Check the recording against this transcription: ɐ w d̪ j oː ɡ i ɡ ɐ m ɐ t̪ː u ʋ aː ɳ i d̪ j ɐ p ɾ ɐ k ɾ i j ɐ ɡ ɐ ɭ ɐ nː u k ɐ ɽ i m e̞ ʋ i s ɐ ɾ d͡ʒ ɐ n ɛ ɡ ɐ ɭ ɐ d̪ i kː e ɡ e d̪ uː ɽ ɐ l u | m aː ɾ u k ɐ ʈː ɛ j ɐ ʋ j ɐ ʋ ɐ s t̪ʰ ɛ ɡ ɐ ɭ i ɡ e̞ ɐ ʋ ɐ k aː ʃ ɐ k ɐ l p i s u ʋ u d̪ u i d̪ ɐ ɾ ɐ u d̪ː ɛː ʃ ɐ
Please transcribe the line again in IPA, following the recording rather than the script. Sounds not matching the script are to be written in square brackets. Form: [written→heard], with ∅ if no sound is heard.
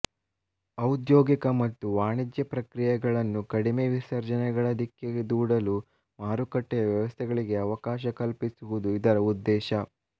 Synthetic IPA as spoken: ɐ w d̪ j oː ɡ i [ɡ→k] ɐ m ɐ t̪ː u ʋ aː ɳ i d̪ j ɐ p ɾ ɐ k ɾ i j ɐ ɡ ɐ ɭ ɐ nː u k ɐ ɽ i m e̞ ʋ i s ɐ ɾ d͡ʒ ɐ n ɛ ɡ ɐ ɭ ɐ d̪ i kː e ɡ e d̪ uː ɽ ɐ l u | m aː ɾ u k ɐ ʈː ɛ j ɐ ʋ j ɐ ʋ ɐ s t̪ʰ ɛ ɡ ɐ ɭ i ɡ e̞ ɐ ʋ ɐ k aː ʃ ɐ k ɐ l p i s u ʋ u d̪ u i d̪ ɐ ɾ ɐ u d̪ː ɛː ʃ ɐ